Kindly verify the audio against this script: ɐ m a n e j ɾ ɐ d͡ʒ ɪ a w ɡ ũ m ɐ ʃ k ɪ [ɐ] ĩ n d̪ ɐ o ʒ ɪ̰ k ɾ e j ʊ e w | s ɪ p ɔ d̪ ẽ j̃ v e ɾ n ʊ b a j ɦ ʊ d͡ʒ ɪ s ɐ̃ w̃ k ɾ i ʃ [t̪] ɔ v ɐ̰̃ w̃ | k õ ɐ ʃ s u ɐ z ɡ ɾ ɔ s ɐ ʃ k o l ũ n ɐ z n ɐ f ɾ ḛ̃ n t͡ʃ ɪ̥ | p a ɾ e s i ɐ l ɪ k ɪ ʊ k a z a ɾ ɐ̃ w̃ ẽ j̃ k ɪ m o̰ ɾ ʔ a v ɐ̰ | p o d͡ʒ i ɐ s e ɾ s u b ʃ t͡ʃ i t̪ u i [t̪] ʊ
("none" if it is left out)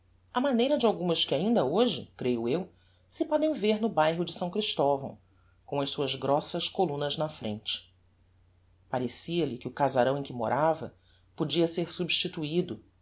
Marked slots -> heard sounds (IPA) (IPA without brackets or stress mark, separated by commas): a, t̪, d̪